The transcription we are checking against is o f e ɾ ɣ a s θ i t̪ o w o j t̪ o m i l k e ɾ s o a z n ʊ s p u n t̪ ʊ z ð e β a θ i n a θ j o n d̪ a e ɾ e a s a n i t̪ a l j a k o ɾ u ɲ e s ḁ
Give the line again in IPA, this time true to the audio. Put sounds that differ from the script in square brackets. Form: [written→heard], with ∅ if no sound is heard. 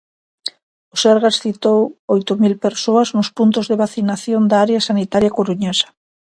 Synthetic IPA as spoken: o [f→s] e ɾ ɣ a s θ i t̪ o w o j t̪ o m i l [k→p] e ɾ s o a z n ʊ s p u n t̪ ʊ z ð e β a θ i n a θ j o n d̪ a [e→a] ɾ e a s a n i t̪ a [l→ɾ] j a k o ɾ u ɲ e s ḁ